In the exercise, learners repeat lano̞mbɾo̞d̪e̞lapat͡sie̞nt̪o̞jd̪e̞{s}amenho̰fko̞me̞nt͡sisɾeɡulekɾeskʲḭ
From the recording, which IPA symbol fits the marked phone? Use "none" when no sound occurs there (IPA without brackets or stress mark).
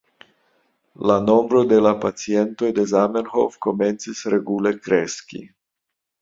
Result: z